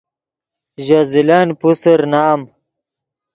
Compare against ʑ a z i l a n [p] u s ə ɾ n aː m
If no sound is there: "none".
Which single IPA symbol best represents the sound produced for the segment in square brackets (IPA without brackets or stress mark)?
p